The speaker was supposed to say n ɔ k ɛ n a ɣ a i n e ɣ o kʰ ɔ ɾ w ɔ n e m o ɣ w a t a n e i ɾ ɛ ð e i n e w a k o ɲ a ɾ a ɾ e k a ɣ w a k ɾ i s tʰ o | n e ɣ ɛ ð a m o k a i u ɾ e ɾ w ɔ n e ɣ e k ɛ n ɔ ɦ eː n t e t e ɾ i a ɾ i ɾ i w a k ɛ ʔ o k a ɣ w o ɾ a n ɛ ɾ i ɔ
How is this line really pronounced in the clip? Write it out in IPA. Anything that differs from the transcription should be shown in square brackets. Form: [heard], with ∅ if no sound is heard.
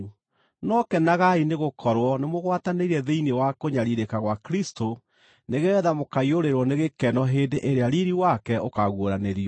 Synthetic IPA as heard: n ɔ k ɛ n a ɣ a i n e ɣ o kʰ ɔ ɾ w ɔ n e m o ɣ w a t a n e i ɾ ɛ ð e i n e w a k o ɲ a ɾ [i] ɾ e k a ɣ w a k ɾ i s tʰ o | n e ɣ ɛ ð a m o k a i [o] ɾ e ɾ w ɔ n e ɣ e k ɛ n ɔ ɦ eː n [d] e [ʔ] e ɾ [e] a ɾ i ɾ i w a k ɛ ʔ o k a ɣ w o ɾ a n [e] ɾ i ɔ